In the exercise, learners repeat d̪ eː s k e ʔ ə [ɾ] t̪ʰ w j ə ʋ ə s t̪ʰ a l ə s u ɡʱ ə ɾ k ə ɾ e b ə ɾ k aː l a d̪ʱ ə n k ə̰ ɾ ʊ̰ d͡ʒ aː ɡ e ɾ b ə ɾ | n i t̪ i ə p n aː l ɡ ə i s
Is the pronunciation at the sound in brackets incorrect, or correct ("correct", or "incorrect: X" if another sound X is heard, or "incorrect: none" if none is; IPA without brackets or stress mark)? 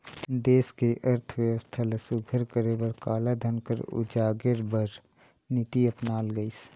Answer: correct